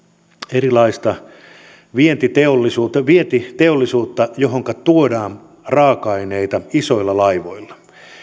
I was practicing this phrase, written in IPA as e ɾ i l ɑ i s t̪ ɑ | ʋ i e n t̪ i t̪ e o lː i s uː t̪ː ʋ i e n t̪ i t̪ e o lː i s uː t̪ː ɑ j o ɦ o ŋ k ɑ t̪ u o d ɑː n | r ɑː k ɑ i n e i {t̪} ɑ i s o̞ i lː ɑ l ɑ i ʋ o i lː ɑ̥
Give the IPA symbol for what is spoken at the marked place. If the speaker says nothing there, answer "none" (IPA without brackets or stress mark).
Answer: t̪